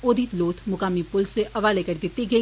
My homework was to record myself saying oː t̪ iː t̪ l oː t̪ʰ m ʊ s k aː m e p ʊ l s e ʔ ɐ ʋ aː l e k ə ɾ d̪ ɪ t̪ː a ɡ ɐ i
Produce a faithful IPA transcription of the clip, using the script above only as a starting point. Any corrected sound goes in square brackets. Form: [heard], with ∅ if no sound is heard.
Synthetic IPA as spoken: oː [d̪] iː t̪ l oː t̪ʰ m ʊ [∅] k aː m [i] p ʊ l s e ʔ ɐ ʋ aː l e k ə ɾ d̪ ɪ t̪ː [i] ɡ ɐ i

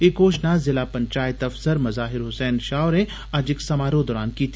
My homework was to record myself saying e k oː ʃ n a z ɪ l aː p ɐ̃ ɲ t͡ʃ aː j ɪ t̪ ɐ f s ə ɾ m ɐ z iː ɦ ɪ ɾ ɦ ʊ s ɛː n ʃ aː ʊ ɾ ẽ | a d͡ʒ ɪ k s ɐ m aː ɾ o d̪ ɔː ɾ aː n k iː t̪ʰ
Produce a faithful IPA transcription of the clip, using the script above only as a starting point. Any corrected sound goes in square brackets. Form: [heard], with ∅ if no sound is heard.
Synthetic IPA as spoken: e k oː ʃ n a z ɪ l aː p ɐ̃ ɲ t͡ʃ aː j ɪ t̪ ɐ f s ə ɾ m ɐ z [aː] ɦ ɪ ɾ ɦ ʊ s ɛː n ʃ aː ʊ ɾ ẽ | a d͡ʒ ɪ k s ɐ m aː ɾ o d̪ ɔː ɾ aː n k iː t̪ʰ

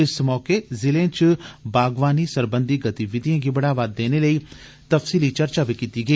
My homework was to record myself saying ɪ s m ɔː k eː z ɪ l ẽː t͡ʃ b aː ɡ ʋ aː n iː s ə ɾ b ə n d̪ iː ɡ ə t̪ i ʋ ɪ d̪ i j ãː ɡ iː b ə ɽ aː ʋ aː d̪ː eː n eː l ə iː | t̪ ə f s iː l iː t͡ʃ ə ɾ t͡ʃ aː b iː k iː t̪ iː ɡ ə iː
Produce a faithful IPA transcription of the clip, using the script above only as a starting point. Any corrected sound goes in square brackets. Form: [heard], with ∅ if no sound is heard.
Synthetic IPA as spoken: ɪ s m ɔː k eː z ɪ l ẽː t͡ʃ b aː ɡ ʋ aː n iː s ə ɾ b ə n d̪ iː ɡ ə t̪ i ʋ ɪ d̪ i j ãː ɡ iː b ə ɽ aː ʋ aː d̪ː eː n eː l ə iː | t̪ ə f s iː l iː t͡ʃ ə ɾ t͡ʃ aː b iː k iː t̪ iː ɡ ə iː

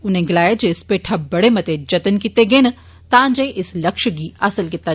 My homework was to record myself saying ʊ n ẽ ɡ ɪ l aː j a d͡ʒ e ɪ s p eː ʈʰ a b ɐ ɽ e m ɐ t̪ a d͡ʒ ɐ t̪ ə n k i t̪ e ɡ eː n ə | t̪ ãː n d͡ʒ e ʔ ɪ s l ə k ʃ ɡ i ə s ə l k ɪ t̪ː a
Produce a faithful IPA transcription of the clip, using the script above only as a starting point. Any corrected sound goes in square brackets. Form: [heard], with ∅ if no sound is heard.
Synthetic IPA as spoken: ʊ n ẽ ɡ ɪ l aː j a d͡ʒ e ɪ s p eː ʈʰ a b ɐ ɽ e m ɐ t̪ [e] d͡ʒ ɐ t̪ ə n k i t̪ e ɡ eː n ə | t̪ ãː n d͡ʒ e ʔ ɪ s l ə k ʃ ɡ i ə s ə l k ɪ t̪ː a

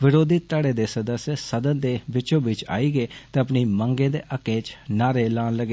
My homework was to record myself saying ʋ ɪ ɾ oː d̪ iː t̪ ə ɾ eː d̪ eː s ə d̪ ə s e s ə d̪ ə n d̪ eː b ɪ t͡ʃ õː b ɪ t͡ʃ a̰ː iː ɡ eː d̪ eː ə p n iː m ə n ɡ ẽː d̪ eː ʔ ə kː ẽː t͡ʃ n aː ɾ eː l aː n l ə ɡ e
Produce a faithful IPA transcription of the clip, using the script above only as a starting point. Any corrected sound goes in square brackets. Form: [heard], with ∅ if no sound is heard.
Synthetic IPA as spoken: ʋ ɪ ɾ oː d̪ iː t̪ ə [ɽ] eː d̪ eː s ə d̪ ə s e s ə d̪ ə n d̪ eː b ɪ t͡ʃ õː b ɪ t͡ʃ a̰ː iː ɡ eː [t̪] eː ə p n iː m ə [ŋ] ɡ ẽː d̪ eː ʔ ə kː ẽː t͡ʃ n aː ɾ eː l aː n l ə ɡ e

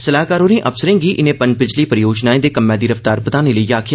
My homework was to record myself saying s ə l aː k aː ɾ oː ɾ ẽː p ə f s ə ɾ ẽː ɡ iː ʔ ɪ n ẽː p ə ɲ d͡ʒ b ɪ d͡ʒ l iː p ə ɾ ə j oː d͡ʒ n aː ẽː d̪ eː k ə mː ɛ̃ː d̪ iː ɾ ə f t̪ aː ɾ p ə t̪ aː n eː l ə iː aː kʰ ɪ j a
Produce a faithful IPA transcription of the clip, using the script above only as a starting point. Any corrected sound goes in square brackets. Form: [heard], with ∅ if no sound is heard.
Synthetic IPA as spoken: s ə l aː k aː ɾ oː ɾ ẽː [ʔ] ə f s ə ɾ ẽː ɡ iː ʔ ɪ n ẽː p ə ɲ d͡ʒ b ɪ d͡ʒ l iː p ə ɾ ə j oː d͡ʒ n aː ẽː d̪ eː k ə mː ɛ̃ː d̪ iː ɾ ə f t̪ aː ɾ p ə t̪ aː n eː l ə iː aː kʰ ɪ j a

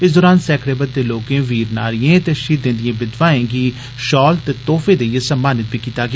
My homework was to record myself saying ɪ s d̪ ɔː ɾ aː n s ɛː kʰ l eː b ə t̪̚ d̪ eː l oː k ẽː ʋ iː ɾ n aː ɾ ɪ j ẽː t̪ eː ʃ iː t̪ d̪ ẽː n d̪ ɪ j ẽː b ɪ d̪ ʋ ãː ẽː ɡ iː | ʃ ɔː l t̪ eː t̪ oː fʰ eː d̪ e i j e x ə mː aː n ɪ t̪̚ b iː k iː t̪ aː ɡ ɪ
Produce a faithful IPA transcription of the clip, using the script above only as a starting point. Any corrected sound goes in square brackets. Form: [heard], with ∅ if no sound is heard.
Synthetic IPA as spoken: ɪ s d̪ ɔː ɾ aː n s ɛː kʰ [ɽ] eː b ə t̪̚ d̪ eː l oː k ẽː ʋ iː ɾ n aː ɾ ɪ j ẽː t̪ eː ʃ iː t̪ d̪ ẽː n d̪ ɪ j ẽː b ɪ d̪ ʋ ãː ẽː ɡ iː | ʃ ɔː l t̪ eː t̪ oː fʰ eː d̪ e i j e [s] ə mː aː n ɪ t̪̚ b iː k iː t̪ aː ɡ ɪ

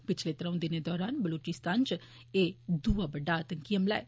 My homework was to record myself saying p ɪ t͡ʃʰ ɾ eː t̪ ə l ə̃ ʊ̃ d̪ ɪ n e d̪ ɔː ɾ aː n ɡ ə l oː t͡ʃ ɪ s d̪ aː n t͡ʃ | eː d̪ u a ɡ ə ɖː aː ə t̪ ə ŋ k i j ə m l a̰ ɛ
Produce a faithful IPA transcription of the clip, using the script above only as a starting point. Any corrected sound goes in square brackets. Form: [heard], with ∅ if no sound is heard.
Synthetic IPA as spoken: p ɪ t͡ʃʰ [l] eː t̪ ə [ɾ] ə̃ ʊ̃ d̪ ɪ n e d̪ ɔː ɾ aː n [b] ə l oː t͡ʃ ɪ s [t̪] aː n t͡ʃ | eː d̪ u a [b] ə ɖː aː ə t̪ ə ŋ k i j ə m l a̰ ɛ

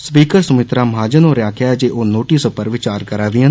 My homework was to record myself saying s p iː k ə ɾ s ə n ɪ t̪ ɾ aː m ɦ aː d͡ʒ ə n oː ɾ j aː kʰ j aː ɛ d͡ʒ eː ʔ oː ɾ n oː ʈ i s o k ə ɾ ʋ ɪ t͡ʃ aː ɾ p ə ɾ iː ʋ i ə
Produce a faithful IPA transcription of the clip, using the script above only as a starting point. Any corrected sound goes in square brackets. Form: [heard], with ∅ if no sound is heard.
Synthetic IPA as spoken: s p iː k ə ɾ s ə [m] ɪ t̪ ɾ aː m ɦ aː d͡ʒ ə n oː ɾ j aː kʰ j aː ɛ d͡ʒ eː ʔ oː [∅] n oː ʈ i s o [p] ə ɾ ʋ ɪ t͡ʃ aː ɾ [k] ə ɾ [aː] ʋ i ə

